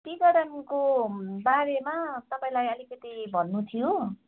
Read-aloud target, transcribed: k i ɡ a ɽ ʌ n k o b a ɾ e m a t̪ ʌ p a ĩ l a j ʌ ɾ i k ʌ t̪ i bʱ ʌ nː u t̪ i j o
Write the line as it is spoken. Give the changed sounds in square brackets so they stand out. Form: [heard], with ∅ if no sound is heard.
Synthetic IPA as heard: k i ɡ [ʌ] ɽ ʌ n k o b a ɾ e m a t̪ ʌ p a ĩ l a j ʌ [l] i k ʌ t̪ i bʱ ʌ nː u [t̪ʰ] i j o

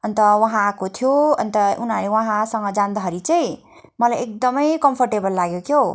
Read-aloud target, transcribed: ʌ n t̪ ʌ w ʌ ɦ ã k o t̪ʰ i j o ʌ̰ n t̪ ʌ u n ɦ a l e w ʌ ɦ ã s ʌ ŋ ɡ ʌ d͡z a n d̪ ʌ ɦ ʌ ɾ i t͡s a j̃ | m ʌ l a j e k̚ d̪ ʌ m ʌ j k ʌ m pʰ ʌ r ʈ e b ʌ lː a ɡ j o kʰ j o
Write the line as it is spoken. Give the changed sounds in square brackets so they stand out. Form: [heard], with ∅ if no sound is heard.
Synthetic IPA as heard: ʌ n t̪ ʌ w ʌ ɦ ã k o t̪ʰ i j o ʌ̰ n t̪ ʌ u n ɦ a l e w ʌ ɦ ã s ʌ ŋ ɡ ʌ d͡z a n d̪ ʌ ɦ ʌ ɾ i t͡s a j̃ | m ʌ l a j e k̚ d̪ ʌ m ʌ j k ʌ m pʰ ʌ r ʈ e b ʌ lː a ɡ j o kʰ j o

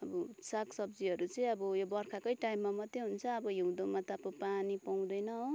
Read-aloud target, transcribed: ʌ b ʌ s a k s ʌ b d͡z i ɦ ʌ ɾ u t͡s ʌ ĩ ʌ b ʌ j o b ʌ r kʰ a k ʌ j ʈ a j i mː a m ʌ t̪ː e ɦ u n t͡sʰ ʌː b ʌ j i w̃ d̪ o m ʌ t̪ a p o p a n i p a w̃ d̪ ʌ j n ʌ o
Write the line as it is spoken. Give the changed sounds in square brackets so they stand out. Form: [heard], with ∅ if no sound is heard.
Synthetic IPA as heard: ʌ b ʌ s a k s ʌ b d͡z i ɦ ʌ ɾ u t͡s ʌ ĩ ʌ b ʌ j o b ʌ r kʰ a k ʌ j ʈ a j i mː a m ʌ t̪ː e ɦ u n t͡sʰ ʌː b ʌ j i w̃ d̪ o m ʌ t̪ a p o p a n i p a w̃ d̪ ʌ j n ʌ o

